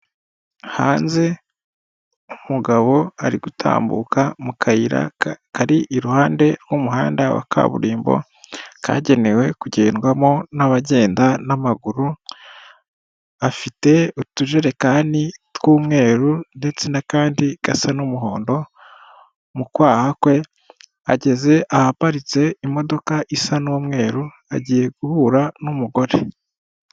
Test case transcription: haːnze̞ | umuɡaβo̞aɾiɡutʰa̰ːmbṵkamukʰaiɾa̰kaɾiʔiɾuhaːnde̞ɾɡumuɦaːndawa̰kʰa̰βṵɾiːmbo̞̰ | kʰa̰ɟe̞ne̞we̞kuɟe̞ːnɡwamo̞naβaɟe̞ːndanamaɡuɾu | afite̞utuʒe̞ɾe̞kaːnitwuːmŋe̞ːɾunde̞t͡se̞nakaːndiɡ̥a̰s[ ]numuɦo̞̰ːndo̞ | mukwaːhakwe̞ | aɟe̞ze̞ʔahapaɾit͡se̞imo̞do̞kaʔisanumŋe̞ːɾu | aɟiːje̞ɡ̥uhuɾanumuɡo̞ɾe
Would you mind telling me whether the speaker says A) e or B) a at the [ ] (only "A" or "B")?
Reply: B